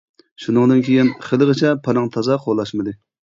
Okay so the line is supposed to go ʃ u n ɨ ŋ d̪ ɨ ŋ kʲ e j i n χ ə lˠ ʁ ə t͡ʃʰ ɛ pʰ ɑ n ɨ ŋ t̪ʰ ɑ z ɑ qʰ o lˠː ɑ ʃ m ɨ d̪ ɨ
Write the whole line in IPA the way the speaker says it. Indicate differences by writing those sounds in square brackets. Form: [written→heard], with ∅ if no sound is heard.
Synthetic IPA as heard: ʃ u n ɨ ŋ d̪ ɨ [ŋ→n] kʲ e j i n χ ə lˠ ʁ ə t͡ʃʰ ɛ pʰ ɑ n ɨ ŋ t̪ʰ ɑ z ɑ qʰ o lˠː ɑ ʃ m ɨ d̪ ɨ